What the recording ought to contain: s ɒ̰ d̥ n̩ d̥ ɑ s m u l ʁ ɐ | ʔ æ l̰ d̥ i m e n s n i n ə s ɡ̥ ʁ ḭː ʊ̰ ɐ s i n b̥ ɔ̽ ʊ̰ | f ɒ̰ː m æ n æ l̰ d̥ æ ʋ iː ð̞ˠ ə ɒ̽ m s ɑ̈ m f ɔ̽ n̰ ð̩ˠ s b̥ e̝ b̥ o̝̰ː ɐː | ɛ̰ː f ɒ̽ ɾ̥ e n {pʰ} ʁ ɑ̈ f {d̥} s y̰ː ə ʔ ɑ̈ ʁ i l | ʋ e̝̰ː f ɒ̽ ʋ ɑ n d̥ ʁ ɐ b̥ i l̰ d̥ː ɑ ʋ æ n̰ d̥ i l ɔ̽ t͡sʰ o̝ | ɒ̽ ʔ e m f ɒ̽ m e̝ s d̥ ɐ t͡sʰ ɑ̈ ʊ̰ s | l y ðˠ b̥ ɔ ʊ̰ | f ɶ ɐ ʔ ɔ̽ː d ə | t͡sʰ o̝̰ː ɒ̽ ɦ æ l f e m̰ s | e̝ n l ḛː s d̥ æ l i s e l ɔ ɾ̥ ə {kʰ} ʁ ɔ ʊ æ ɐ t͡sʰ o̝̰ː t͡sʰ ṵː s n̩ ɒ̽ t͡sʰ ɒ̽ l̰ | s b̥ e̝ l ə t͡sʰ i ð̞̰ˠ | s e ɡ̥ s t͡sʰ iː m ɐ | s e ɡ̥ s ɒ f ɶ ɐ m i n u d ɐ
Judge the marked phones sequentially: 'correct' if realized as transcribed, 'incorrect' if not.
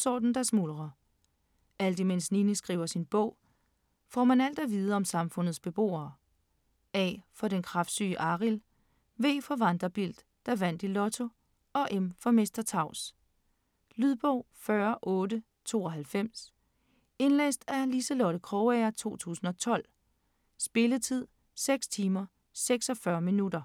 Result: incorrect, correct, correct

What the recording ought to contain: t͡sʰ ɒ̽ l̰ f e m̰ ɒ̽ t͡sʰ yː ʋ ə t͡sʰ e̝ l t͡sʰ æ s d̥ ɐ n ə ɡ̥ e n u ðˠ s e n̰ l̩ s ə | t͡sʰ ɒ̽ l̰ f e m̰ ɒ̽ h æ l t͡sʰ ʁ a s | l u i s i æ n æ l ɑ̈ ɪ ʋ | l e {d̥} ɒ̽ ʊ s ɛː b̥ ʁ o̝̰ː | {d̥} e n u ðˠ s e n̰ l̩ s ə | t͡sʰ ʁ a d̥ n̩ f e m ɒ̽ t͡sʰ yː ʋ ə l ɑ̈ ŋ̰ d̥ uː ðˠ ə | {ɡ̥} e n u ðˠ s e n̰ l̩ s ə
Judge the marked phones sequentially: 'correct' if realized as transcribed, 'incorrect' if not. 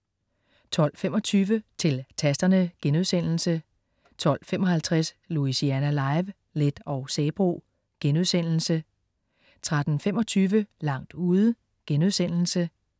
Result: correct, incorrect, correct

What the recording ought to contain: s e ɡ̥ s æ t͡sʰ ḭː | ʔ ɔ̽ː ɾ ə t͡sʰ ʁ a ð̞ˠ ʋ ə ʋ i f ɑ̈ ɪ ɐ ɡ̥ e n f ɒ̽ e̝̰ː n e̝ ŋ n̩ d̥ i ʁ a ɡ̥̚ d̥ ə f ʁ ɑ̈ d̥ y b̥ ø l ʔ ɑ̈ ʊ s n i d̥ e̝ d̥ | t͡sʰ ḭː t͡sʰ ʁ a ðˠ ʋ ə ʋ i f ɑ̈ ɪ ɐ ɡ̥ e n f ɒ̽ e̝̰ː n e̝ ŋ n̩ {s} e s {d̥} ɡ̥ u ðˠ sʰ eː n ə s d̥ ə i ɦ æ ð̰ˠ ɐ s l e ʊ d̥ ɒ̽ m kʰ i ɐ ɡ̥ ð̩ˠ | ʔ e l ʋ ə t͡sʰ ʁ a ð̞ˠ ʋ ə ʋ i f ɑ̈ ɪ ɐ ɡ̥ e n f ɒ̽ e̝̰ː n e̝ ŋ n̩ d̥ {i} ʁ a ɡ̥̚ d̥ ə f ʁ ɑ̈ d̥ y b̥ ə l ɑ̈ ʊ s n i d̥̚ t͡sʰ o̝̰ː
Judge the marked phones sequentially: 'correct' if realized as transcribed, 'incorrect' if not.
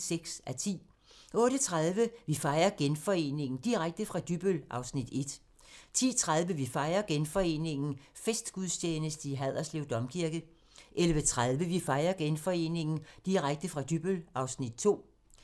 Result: incorrect, correct, correct

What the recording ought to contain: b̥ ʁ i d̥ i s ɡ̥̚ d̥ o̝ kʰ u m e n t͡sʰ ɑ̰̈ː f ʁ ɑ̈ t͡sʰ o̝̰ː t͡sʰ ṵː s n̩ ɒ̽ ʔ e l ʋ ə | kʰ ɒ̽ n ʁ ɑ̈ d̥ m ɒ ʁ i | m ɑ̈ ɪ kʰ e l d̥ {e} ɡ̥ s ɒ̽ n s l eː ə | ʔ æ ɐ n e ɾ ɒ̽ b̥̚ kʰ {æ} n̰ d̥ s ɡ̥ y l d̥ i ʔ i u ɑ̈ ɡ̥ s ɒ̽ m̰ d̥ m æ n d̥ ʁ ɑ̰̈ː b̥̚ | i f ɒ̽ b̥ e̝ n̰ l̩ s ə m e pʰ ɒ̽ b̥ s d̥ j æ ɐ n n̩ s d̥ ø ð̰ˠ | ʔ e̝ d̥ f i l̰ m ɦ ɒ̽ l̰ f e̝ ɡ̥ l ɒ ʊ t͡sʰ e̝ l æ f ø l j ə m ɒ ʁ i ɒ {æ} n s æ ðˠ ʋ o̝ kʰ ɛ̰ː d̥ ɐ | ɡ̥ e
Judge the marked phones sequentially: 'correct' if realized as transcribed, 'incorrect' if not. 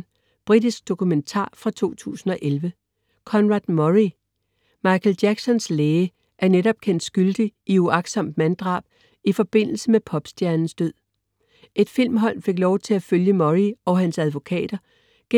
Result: incorrect, incorrect, correct

